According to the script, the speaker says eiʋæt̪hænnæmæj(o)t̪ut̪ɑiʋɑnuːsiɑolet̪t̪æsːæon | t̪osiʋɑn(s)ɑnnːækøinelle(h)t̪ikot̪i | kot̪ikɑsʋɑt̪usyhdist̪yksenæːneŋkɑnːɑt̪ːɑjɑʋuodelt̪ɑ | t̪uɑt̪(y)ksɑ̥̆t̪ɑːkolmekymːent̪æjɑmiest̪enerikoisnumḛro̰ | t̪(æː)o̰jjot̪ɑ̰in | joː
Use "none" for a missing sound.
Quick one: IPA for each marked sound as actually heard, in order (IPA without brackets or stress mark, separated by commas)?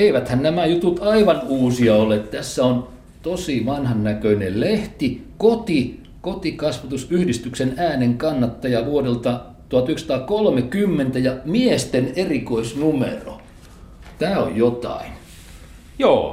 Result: u, h, h, y, æː